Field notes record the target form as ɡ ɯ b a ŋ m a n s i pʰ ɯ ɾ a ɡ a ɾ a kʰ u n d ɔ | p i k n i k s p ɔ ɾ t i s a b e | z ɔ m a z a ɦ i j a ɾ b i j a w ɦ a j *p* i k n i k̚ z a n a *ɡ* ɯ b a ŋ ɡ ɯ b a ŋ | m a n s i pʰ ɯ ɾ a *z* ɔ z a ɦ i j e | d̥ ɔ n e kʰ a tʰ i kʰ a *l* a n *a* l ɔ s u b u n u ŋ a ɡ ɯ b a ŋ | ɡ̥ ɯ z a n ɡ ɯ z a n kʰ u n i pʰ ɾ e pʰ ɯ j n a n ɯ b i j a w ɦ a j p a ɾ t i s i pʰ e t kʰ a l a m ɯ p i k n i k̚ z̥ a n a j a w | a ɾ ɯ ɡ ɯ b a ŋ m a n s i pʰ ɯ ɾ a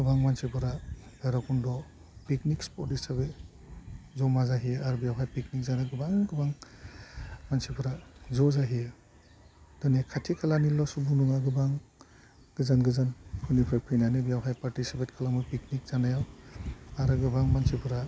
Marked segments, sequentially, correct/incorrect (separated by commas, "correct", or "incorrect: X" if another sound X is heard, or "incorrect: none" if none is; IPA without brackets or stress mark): correct, correct, correct, correct, incorrect: i